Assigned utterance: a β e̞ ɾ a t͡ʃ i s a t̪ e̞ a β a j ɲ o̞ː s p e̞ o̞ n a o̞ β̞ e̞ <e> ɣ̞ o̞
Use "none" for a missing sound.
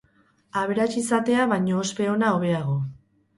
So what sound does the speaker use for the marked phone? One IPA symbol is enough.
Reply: a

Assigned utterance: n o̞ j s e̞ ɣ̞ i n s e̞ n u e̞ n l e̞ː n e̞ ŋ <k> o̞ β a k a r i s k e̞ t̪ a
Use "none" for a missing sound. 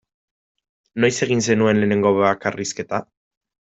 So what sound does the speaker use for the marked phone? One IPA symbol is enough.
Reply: ɡ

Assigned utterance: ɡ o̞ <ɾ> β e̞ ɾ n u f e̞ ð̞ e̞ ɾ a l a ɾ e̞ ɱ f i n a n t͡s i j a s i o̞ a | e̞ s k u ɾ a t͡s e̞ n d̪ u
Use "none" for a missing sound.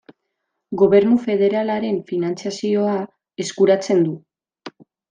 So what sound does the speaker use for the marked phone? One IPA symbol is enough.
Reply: none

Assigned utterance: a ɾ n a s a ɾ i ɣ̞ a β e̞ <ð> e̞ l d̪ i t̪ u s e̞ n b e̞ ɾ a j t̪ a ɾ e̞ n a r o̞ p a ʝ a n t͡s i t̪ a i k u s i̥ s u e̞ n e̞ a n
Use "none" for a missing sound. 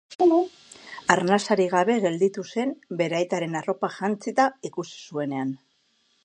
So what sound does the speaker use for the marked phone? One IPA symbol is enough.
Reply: ɣ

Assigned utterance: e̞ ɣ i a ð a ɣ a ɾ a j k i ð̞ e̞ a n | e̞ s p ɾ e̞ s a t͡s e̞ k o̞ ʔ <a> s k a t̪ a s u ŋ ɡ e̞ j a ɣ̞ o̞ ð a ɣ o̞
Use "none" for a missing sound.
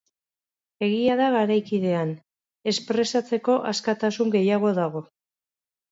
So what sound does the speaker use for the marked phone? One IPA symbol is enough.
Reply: a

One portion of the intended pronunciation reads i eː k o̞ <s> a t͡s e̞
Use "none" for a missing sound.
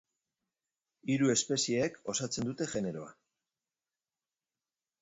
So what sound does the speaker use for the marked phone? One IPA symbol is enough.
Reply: s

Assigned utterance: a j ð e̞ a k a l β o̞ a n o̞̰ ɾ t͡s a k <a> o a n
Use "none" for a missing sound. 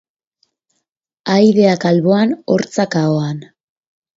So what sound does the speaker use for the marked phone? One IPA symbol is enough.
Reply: a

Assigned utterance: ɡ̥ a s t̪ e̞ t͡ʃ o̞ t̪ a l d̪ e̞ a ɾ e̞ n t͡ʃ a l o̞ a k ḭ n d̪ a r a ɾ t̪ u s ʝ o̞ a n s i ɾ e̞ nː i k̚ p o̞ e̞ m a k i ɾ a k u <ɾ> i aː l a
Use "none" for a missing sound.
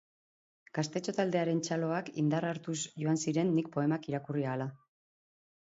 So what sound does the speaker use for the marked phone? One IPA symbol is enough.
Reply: r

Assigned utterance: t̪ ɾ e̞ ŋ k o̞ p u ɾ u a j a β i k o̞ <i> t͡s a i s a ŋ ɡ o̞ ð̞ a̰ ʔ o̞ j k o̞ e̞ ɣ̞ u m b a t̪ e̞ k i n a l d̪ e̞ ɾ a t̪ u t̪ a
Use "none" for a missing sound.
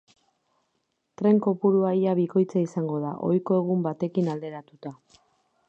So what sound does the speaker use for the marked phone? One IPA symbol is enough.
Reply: j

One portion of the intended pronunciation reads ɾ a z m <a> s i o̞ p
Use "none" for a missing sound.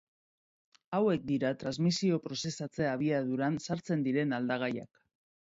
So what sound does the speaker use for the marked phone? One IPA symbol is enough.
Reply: i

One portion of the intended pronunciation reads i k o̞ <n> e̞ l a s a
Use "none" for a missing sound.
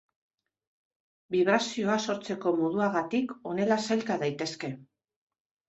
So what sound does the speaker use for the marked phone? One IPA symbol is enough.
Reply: n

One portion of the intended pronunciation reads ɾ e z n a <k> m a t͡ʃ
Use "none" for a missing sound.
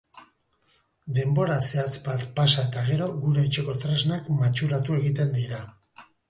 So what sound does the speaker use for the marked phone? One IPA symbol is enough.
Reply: k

